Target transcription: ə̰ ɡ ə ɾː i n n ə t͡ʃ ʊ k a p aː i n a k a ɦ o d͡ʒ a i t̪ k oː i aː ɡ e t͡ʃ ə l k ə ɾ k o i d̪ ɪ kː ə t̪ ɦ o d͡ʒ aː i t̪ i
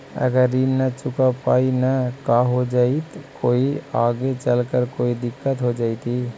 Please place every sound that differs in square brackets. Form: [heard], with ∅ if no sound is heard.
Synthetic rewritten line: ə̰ ɡ ə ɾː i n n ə t͡ʃ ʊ k a p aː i n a k a ɦ o d͡ʒ a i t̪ k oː i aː ɡ e t͡ʃ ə l k ə ɾ k o i d̪ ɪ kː ə t̪ ɦ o d͡ʒ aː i t̪ i